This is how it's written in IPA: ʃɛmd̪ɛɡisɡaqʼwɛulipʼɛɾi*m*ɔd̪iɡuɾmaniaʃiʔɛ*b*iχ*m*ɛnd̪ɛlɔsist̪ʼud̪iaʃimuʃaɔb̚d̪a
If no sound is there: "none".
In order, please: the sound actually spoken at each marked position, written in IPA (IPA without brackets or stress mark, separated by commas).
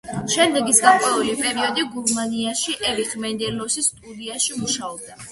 none, v, m